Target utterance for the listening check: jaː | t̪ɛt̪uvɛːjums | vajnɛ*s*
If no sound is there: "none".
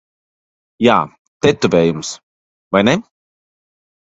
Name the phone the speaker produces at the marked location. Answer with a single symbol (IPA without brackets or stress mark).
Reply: none